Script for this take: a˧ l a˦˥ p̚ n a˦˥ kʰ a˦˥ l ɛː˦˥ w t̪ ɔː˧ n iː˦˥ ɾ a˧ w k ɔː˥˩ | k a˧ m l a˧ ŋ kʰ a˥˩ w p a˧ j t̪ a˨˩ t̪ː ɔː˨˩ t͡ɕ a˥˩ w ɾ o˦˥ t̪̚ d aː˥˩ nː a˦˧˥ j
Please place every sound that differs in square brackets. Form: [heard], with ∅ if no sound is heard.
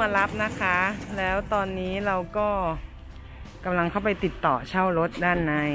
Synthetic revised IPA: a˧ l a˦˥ p̚ n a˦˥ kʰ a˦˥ l ɛː˦˥ w t̪ ɔː˧ [nː] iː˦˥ ɾ a˧ w k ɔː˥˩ | k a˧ m l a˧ ŋ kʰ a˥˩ w p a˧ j t̪ [i˨˩] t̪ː ɔː˨˩ [t͡ɕʰ] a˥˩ w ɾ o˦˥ t̪̚ d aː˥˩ nː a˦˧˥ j